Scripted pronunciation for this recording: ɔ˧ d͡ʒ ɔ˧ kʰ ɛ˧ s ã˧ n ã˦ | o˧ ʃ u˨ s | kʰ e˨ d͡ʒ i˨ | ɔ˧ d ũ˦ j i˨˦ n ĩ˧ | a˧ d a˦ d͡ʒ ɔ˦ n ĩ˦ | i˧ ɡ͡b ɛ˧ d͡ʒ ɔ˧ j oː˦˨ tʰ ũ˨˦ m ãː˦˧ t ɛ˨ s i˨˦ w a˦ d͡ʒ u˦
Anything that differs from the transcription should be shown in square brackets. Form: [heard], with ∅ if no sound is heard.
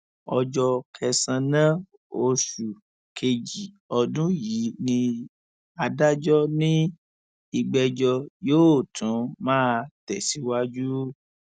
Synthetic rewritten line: ɔ˧ d͡ʒ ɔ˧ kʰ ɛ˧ s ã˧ n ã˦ | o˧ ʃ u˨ [∅] | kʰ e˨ d͡ʒ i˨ | ɔ˧ d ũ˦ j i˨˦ n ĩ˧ | a˧ d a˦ d͡ʒ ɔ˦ n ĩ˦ | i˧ ɡ͡b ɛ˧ d͡ʒ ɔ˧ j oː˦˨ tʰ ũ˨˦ m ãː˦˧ t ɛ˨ s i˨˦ w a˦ d͡ʒ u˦